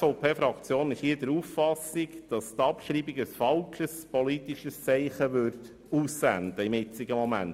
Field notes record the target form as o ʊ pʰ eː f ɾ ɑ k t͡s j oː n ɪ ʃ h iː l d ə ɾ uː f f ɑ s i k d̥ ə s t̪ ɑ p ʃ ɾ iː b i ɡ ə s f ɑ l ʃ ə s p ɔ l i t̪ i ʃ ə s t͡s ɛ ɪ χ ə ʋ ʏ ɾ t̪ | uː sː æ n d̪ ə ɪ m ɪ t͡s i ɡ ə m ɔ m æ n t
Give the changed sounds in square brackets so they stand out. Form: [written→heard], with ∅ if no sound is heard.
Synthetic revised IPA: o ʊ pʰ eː f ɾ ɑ k t͡s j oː n ɪ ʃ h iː [l→∅] d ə ɾ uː f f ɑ s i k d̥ [ə→ɑ] s t̪ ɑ p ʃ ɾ iː b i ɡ ə s f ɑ l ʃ ə s p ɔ l i t̪ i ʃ ə s t͡s ɛ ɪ χ ə ʋ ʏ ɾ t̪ | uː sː æ n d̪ ə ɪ m ɪ t͡s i ɡ ə m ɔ m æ n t

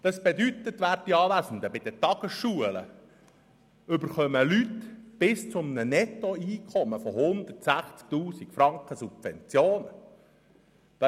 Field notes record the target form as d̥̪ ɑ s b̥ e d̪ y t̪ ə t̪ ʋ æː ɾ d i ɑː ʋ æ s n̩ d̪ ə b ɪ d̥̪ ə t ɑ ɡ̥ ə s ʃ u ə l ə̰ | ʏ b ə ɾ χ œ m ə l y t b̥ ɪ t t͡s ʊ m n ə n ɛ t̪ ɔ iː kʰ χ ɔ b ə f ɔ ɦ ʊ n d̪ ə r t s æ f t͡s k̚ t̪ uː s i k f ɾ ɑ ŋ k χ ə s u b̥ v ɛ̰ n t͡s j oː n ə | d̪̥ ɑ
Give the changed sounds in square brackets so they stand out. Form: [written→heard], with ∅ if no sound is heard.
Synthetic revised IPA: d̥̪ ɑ s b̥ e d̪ y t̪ ə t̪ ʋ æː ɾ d i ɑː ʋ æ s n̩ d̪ ə b ɪ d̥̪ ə t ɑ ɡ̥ ə s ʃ u ə l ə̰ | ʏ b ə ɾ χ œ m ə l y t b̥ ɪ [t→s] t͡s ʊ m n ə n ɛ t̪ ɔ iː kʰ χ ɔ [b→m] ə f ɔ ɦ ʊ n d̪ ə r t s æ [f→χ] t͡s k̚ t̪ uː s i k f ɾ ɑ ŋ k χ ə s u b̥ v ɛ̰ n t͡s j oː n ə | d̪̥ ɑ

